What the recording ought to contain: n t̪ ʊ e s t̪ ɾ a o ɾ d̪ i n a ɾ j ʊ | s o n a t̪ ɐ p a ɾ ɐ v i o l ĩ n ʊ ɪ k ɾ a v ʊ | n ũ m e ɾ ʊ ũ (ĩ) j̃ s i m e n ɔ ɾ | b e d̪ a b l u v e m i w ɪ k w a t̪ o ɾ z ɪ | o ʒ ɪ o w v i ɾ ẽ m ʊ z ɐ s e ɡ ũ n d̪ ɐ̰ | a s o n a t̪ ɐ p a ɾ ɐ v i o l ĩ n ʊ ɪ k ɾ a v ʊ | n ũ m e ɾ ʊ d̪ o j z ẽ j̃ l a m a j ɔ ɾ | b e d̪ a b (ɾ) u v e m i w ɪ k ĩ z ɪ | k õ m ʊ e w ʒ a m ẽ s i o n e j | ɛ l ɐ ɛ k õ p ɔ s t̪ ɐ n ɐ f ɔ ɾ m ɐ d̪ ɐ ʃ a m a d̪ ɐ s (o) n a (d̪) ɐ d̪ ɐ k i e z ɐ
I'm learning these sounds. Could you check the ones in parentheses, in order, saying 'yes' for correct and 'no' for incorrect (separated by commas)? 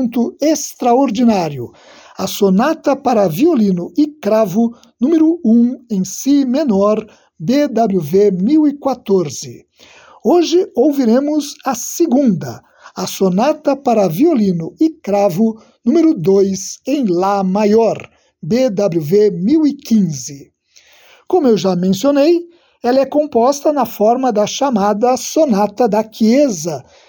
no, no, yes, no